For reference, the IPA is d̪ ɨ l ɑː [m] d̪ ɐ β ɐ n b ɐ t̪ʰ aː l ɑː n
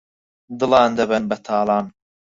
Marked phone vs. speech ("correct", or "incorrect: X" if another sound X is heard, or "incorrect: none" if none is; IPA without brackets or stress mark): incorrect: n